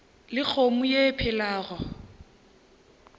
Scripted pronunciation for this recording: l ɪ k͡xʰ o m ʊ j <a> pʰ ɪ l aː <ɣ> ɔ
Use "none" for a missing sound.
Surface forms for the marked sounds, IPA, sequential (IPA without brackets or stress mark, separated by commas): e, ɣ